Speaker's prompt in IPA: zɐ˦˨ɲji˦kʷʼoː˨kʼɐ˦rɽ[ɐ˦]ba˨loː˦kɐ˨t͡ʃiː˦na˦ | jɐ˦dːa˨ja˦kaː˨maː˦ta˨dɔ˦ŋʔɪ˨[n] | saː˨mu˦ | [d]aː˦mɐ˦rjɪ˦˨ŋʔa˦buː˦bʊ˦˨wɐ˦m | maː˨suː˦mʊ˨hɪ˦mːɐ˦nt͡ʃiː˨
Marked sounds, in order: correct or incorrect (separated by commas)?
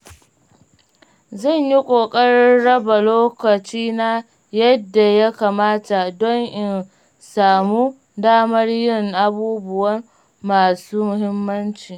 correct, correct, correct